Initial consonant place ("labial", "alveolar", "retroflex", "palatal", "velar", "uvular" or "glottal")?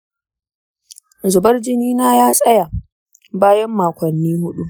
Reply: alveolar